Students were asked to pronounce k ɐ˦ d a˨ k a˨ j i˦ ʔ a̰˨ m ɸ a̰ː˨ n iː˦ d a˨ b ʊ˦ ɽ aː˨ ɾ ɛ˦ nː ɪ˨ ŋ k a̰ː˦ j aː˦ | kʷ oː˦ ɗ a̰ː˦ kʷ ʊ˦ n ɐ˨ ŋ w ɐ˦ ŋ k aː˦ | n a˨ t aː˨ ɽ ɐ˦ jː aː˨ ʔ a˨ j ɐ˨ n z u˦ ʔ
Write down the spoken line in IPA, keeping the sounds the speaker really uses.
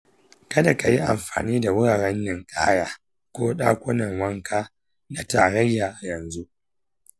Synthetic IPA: k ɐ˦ d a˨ k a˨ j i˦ ʔ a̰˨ m ɸ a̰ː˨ n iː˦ d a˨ w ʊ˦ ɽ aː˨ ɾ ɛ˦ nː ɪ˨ ŋ kʼ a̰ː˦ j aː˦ | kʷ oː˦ ɗ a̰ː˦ kʷ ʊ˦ n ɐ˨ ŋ w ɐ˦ ŋ k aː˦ | n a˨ t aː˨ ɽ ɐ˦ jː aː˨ ʔ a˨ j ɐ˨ n z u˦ ʔ